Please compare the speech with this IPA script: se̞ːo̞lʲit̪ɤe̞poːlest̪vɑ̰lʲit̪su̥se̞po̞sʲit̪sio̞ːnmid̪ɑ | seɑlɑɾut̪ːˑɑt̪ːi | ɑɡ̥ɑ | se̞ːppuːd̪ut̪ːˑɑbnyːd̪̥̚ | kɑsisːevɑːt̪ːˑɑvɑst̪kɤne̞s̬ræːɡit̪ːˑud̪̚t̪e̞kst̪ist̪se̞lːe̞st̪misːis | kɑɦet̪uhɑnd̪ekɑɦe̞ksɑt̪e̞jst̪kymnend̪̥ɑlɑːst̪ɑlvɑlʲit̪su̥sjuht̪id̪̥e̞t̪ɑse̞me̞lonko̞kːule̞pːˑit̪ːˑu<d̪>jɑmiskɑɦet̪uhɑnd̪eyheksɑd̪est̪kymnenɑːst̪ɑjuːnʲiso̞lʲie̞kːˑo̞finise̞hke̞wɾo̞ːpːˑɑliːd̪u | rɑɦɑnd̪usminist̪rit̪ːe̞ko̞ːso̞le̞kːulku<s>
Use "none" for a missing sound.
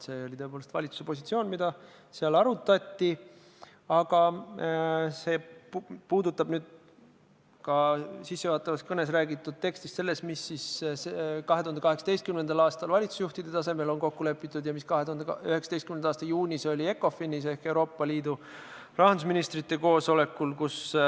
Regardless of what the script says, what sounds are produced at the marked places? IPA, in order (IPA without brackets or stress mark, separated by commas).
d̪, s